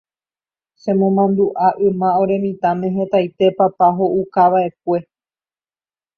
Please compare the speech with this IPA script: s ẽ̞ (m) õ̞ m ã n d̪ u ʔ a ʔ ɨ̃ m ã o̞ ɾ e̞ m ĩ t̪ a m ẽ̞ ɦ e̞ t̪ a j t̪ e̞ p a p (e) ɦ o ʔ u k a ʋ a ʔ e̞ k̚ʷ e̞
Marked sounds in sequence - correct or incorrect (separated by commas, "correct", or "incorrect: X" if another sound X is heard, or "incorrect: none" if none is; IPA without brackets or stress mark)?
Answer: correct, incorrect: a